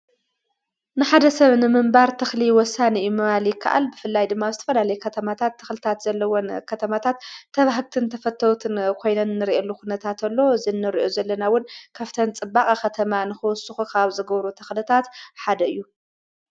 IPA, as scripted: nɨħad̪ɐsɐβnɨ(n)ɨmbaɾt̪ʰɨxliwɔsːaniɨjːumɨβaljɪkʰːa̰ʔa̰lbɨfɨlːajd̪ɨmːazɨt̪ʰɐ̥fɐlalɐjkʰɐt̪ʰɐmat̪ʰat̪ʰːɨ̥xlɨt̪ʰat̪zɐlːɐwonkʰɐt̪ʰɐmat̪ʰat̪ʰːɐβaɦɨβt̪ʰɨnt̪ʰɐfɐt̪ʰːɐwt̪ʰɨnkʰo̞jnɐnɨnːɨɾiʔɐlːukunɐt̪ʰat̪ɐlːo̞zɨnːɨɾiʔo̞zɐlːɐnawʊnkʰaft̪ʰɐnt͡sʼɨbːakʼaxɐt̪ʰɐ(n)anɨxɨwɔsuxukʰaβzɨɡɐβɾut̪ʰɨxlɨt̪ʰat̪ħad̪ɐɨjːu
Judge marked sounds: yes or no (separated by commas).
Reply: no, no